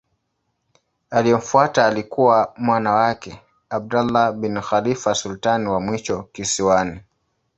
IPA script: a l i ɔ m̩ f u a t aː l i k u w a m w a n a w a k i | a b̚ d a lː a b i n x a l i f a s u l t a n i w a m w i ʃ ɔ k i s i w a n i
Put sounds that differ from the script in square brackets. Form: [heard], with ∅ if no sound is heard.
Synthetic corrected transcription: a l i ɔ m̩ f u a t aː l i k u w a m w a n a w a k [ɛ] | a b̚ d a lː a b i n x a l i f a s u l t a n i w a m w i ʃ ɔ k i s i w a n i